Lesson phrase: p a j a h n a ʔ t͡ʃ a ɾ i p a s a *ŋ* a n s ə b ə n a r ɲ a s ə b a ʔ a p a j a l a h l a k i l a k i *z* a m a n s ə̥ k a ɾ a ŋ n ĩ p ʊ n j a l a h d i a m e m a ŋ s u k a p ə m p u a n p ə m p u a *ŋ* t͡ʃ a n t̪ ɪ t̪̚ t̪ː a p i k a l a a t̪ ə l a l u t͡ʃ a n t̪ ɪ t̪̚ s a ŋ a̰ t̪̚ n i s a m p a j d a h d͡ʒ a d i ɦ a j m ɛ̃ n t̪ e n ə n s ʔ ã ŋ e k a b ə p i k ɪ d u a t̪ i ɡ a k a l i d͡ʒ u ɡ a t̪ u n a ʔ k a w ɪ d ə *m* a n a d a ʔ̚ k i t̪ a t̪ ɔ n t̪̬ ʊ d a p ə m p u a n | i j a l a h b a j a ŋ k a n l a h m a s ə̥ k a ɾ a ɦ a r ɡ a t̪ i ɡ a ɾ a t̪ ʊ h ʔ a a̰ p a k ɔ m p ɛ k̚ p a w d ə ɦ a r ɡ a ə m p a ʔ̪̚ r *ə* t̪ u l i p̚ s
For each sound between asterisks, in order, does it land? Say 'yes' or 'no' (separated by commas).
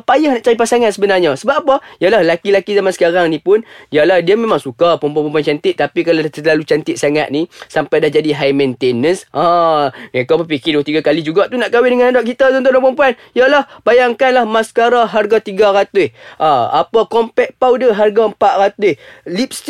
yes, yes, no, no, no